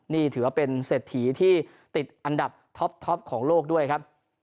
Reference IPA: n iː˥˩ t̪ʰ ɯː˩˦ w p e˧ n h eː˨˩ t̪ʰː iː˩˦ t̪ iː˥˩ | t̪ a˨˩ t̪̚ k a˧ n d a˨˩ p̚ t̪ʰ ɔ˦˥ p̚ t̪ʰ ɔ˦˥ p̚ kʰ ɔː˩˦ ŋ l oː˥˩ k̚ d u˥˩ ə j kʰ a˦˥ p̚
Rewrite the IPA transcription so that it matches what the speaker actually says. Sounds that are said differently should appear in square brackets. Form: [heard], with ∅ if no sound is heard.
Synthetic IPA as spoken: n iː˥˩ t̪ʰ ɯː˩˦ w p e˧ n [s] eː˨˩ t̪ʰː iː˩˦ [t̪ʰ] iː˥˩ | t̪ [i˨˩] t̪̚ [ʔ] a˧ n d a˨˩ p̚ t̪ʰ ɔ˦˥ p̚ t̪ʰ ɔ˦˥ p̚ kʰ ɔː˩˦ ŋ l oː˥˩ k̚ d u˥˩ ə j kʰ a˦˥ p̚